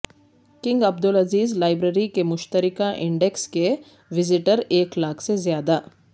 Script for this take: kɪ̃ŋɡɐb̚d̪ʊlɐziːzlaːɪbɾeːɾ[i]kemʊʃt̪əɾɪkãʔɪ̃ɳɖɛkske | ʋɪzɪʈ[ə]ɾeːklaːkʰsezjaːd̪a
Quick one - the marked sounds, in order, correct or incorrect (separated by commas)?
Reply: correct, correct